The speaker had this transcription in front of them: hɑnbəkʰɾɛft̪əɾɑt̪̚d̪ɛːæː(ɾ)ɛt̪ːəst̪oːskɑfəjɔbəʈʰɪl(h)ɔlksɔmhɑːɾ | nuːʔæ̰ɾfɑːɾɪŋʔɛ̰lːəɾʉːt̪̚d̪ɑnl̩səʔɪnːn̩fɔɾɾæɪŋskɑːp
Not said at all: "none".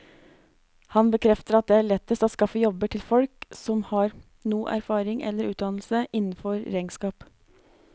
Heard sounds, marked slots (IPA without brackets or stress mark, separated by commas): ɭ, f